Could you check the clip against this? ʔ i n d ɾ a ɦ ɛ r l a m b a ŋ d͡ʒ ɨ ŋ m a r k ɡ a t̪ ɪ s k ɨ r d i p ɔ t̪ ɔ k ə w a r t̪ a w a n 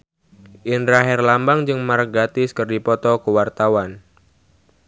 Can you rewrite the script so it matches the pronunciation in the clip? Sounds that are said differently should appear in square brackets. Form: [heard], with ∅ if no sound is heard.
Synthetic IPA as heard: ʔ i n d ɾ a ɦ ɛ r l a m b a ŋ d͡ʒ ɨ ŋ m a r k ɡ a t̪ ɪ s k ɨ r d i p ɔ t̪ ɔ k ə w a r t̪ a w a n